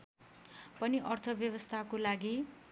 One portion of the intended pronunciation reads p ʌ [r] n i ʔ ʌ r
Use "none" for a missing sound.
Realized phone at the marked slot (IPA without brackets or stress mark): none